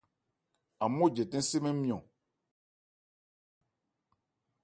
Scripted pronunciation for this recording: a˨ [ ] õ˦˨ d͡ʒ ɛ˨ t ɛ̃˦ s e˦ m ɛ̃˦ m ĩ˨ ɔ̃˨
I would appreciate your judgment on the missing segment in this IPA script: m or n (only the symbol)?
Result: m